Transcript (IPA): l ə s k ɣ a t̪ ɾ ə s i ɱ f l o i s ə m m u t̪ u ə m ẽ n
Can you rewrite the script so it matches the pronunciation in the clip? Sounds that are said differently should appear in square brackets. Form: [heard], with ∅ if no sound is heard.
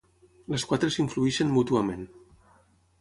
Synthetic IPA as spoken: l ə s k [w] a t̪ ɾ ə s i ɱ f l [u] i [ʃ] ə [n] m u t̪ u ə m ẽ n